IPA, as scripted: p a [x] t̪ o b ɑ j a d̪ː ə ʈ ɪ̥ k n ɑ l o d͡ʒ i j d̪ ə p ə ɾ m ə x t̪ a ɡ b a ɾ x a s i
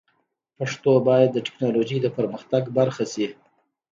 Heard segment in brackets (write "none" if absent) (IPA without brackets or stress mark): ʂ